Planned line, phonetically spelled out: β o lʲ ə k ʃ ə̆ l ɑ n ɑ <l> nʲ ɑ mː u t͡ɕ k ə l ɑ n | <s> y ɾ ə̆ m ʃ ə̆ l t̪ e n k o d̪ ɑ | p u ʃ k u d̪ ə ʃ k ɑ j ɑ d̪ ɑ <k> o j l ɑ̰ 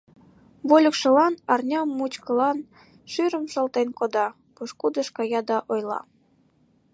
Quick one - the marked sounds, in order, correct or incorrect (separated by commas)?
incorrect, incorrect, incorrect